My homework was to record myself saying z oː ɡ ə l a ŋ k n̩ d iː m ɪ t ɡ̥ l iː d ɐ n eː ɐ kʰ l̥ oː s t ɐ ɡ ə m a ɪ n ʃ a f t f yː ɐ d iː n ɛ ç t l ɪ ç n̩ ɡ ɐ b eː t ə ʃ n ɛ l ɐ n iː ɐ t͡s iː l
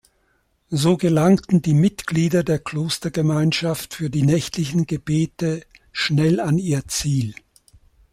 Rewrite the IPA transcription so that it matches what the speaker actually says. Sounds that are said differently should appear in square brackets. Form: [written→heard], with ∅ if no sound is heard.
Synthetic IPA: z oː ɡ ə l a ŋ [k→t] n̩ d iː m ɪ t ɡ̥ l iː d ɐ [n→d] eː ɐ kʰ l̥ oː s t ɐ ɡ ə m a ɪ n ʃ a f t f yː ɐ d iː n ɛ ç t l ɪ ç n̩ ɡ [ɐ→ə] b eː t ə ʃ n ɛ l [ɐ→a] n iː ɐ t͡s iː l

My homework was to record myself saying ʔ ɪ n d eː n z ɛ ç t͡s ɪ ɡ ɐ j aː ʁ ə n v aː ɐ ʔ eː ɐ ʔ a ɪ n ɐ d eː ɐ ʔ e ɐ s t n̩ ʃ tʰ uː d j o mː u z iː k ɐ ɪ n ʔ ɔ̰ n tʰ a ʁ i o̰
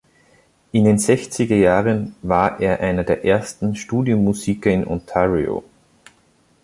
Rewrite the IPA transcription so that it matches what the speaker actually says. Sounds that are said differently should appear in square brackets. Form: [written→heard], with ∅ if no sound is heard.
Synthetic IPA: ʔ ɪ n d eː n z ɛ ç t͡s ɪ ɡ ɐ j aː ʁ ə n v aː ɐ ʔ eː ɐ ʔ a ɪ n ɐ d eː ɐ ʔ e ɐ s t n̩ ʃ [tʰ→t] uː d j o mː u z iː k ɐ ɪ n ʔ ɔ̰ n tʰ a ʁ i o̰

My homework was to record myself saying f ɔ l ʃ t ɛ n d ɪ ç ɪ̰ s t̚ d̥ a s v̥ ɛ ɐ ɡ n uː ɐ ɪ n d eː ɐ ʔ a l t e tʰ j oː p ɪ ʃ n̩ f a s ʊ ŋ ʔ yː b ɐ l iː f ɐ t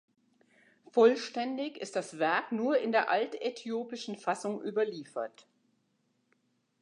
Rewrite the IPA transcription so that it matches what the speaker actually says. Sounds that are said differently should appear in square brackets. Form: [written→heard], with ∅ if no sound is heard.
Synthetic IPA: f ɔ l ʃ t ɛ n d ɪ ç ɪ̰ s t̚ d̥ a s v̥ ɛ ɐ [ɡ→k] n uː ɐ ɪ n d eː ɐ ʔ a l t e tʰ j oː p ɪ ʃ n̩ f a s ʊ ŋ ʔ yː b ɐ l iː f ɐ t

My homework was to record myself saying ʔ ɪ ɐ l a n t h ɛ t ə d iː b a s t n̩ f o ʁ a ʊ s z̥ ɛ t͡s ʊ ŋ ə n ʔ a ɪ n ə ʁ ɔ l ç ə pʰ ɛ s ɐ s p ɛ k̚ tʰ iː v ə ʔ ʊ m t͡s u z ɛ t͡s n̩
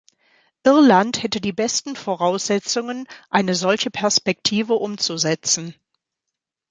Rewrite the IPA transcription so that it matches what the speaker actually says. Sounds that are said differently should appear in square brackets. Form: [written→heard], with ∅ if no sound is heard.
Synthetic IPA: ʔ ɪ ɐ l a n t h ɛ t ə d iː b [a→ɛ] s t n̩ f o ʁ a ʊ s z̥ ɛ t͡s ʊ ŋ ə n ʔ a ɪ n ə [ʁ→z] ɔ l ç ə pʰ ɛ [s→∅] ɐ s p ɛ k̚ tʰ iː v ə ʔ ʊ m t͡s u z ɛ t͡s n̩

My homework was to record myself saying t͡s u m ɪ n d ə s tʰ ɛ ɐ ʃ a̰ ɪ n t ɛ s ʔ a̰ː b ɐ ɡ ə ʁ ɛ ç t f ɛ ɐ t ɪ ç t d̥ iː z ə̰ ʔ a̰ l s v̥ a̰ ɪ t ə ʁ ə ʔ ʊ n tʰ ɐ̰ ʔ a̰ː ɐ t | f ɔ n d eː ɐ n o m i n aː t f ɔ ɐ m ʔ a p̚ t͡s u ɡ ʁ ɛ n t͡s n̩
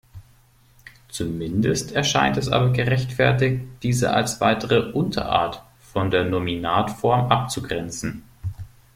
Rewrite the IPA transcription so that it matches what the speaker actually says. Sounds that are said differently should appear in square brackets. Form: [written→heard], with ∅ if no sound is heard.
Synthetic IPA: t͡s u m ɪ n d ə s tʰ ɛ ɐ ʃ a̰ ɪ n t ɛ s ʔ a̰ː b ɐ ɡ ə ʁ ɛ ç t f ɛ ɐ t ɪ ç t d̥ iː z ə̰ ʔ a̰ l s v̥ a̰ ɪ t ə ʁ ə ʔ ʊ n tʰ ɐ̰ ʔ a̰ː ɐ t | f ɔ n d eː ɐ n o m i n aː t f ɔ ɐ m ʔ a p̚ t͡s u ɡ ʁ ɛ n t͡s n̩

